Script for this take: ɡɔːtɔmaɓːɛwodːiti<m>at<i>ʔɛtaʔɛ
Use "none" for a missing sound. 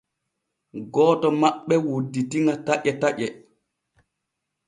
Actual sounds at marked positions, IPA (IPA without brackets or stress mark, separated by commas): ŋ, a